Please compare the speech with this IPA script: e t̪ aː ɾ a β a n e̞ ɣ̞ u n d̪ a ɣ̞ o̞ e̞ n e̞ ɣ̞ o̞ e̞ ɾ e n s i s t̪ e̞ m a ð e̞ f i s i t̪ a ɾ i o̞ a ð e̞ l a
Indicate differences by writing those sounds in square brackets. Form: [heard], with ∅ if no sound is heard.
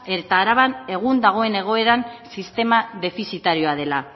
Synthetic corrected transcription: e t̪ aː ɾ a β a n e̞ ɣ̞ u n d̪ a ɣ̞ o̞ e̞ n e̞ ɣ̞ o̞ e̞ ɾ [a] n s i s t̪ e̞ m a ð e̞ f i s i t̪ a ɾ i o̞ a ð e̞ l a